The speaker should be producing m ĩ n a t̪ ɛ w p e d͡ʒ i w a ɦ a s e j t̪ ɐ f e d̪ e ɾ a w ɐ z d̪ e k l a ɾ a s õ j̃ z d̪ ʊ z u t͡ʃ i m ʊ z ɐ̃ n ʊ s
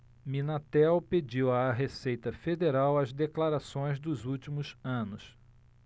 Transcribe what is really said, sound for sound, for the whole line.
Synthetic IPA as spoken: m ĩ n a t̪ ɛ w p e d͡ʒ i w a ɦ e s e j t̪ ɐ f e d̪ e ɾ a w ɐ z d̪ e k l a ɾ a s õ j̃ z d̪ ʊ z u t͡ʃ i m ʊ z ɐ̃ n ʊ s